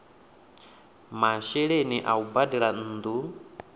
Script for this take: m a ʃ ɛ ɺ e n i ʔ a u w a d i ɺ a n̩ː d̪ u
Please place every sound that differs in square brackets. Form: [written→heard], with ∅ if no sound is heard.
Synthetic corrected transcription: m a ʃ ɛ ɺ e n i ʔ a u [w→b] a d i ɺ a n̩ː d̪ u